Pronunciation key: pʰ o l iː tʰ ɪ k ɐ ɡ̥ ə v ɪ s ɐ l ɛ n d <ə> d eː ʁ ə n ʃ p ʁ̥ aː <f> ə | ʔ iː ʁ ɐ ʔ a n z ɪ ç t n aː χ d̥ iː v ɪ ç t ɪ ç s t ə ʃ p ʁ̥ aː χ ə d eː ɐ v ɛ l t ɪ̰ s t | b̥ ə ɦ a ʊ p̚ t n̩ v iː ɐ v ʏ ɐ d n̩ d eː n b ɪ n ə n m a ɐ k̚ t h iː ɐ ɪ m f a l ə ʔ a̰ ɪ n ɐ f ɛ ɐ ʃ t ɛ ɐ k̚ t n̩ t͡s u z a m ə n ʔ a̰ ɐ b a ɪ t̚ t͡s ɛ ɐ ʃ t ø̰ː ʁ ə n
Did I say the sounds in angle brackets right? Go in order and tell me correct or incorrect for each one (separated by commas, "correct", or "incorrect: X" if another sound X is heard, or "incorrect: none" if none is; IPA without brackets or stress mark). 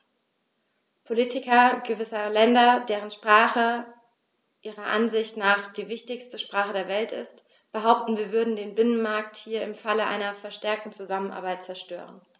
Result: incorrect: ɐ, incorrect: χ